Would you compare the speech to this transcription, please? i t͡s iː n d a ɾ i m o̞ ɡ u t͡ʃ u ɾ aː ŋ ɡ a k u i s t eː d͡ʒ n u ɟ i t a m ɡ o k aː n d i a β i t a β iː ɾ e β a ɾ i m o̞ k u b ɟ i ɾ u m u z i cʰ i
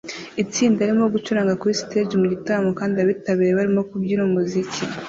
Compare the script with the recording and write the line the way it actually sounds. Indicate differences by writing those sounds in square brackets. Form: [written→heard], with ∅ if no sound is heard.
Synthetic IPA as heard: i t͡s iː n d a ɾ i m o̞ ɡ u t͡ʃ u ɾ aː ŋ ɡ a k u i s t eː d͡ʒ [n→m] u ɟ i t a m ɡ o k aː n d i a β i t a β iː ɾ e β a ɾ i m o̞ k u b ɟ i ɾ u m u z i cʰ i